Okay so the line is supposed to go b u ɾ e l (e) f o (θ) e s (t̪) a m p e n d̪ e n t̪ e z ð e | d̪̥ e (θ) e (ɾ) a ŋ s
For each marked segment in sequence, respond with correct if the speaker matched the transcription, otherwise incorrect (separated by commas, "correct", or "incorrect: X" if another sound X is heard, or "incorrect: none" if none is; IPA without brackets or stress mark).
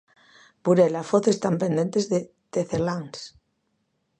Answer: incorrect: a, correct, correct, correct, incorrect: l